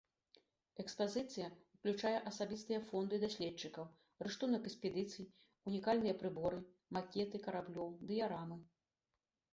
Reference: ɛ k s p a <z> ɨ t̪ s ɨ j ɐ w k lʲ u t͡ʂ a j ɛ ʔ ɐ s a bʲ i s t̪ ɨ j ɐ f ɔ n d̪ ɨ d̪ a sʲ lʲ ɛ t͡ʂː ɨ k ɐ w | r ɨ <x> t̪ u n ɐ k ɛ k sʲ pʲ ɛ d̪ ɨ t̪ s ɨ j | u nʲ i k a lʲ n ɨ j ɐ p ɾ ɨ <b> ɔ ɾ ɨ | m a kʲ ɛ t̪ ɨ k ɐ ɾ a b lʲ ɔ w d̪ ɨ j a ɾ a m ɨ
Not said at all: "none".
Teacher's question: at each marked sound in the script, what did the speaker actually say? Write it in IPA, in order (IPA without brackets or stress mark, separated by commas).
z, ʂ, b